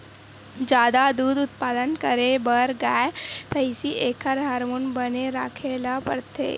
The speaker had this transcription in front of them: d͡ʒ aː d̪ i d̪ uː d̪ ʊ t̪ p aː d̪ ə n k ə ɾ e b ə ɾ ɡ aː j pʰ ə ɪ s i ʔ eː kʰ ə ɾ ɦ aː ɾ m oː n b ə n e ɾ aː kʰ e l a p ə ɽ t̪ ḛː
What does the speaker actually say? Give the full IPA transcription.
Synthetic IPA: d͡ʒ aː d̪ a d̪ uː d̪ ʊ t̪ p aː d̪ ə n k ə ɾ e b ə ɾ ɡ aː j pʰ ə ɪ s i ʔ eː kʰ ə ɾ ɦ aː ɾ m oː n b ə n e ɾ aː kʰ e l a p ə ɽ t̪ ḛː